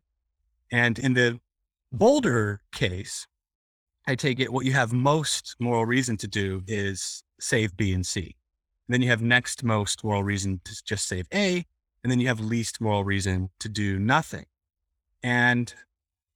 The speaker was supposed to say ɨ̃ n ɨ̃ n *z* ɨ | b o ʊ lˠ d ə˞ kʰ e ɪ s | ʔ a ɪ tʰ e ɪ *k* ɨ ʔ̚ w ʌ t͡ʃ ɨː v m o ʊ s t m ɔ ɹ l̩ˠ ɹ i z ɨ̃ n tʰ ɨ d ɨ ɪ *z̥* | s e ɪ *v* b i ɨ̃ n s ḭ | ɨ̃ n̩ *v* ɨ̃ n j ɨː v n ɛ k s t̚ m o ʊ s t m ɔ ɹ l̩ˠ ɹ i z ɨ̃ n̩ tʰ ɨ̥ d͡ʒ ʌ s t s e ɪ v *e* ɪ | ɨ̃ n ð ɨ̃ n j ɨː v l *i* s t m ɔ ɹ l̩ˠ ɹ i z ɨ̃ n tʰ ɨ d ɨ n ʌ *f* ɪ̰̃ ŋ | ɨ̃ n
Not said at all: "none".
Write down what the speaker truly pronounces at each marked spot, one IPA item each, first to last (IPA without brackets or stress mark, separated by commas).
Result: ð, k, z̥, v, ð, e, i, θ